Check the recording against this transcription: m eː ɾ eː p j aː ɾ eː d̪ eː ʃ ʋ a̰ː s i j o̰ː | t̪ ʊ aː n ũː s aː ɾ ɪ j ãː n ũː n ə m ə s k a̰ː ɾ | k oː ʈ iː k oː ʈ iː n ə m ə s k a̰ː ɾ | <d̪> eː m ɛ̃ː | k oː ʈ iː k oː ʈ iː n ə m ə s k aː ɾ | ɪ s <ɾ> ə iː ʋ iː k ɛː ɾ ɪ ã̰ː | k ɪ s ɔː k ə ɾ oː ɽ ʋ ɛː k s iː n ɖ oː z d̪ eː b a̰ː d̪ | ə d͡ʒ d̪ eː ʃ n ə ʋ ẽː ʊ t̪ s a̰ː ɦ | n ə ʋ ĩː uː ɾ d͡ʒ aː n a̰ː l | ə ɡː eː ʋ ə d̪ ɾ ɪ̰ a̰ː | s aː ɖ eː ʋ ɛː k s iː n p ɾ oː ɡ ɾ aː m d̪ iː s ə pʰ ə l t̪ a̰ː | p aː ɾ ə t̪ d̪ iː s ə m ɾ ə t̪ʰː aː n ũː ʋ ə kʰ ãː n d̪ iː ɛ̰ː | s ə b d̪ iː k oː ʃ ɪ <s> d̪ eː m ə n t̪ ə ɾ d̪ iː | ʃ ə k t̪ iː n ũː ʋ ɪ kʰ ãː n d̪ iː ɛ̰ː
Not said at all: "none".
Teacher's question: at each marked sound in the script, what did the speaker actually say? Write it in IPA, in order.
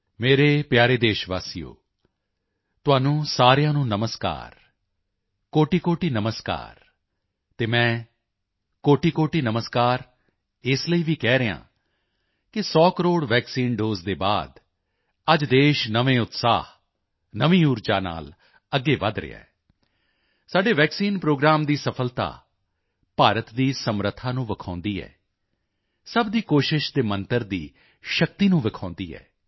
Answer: t̪, l, ʃ

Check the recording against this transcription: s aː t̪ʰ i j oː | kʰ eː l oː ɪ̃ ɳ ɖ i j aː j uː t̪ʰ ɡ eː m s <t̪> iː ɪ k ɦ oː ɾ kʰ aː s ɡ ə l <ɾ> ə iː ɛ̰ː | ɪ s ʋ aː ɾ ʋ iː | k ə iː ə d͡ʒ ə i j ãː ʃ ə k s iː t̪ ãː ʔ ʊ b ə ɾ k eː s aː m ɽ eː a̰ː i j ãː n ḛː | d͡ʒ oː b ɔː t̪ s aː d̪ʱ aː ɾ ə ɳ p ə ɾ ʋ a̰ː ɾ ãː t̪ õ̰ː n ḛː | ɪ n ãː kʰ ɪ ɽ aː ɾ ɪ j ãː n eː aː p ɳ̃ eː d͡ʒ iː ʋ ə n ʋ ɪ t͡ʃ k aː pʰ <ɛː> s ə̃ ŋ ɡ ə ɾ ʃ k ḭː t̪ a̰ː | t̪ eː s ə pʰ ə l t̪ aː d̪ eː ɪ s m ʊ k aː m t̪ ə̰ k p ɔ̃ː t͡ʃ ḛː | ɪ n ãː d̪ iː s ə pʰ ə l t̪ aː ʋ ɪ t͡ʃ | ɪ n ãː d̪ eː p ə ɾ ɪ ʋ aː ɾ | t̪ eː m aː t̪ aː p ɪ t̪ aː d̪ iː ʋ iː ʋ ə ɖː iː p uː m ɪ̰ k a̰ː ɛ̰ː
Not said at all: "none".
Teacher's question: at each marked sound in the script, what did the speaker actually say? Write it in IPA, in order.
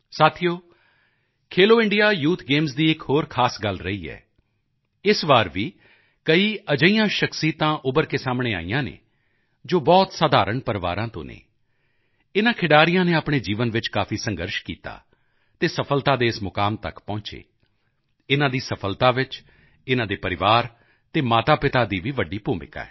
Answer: d̪, ɾ, iː

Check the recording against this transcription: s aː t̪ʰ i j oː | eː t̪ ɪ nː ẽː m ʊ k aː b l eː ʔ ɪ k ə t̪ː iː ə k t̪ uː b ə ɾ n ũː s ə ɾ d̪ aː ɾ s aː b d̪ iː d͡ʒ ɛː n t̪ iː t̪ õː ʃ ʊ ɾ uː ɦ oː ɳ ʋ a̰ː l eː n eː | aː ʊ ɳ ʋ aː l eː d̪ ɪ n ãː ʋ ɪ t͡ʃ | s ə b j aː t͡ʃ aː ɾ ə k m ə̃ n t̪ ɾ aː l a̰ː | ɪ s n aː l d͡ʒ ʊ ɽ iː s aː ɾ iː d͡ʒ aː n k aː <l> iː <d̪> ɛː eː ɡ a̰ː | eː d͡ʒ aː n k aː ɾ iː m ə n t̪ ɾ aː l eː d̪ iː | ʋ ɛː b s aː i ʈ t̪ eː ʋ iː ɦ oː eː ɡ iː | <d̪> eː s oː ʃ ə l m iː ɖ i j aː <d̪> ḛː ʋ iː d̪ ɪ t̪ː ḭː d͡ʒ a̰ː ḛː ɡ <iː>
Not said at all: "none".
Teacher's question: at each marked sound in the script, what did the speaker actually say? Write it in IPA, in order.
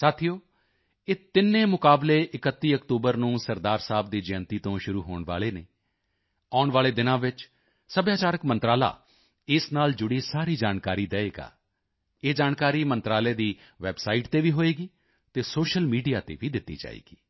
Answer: ɾ, d̪, t̪, t̪, iː

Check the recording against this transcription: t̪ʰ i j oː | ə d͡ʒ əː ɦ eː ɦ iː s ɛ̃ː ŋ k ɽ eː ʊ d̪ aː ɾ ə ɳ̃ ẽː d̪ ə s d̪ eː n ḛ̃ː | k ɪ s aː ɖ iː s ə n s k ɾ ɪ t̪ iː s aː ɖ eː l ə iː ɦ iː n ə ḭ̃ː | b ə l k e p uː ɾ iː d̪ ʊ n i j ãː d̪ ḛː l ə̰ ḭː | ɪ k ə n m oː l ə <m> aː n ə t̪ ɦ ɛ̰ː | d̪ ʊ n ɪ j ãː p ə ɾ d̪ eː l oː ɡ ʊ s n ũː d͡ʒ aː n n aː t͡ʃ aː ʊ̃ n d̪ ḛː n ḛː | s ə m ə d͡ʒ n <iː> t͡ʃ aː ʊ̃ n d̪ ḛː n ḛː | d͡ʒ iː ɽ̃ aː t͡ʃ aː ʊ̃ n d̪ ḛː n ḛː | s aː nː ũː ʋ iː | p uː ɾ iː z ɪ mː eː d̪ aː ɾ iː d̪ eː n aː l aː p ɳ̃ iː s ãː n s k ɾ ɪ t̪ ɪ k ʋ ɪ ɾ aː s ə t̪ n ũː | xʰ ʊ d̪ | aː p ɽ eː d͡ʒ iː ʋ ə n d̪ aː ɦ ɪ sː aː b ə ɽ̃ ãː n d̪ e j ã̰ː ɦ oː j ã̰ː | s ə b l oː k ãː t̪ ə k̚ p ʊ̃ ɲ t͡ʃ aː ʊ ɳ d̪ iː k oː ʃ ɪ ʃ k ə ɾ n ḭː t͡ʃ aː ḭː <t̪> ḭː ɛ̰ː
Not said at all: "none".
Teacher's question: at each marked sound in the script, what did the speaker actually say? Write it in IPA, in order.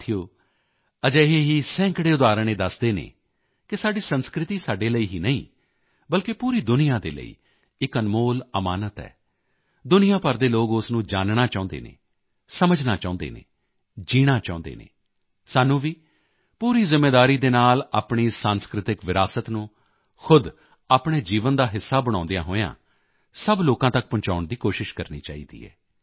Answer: m, aː, d̪

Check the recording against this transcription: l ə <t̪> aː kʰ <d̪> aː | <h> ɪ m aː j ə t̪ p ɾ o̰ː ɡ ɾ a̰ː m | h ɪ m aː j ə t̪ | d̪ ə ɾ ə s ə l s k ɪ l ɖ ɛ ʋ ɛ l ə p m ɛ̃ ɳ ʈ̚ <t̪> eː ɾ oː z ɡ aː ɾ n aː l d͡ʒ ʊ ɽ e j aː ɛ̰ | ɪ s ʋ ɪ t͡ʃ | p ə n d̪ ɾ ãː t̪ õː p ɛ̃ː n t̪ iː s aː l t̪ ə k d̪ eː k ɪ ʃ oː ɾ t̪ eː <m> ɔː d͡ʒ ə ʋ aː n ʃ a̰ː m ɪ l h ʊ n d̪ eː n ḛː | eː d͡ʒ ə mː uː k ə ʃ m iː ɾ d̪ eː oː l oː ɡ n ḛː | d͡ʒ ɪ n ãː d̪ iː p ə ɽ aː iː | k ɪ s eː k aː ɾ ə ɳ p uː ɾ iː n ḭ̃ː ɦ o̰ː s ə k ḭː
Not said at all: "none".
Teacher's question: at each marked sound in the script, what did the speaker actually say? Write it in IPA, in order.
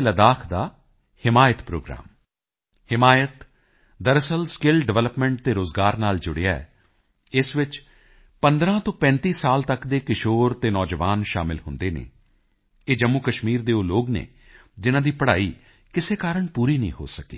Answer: d̪, d̪, h, t̪, n

